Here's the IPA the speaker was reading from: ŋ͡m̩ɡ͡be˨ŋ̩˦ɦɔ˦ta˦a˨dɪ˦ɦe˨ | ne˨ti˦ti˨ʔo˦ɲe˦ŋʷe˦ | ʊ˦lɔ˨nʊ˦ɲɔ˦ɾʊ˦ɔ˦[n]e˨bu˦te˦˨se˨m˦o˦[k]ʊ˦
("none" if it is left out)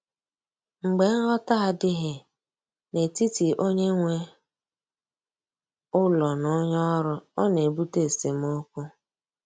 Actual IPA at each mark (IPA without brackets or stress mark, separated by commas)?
n, k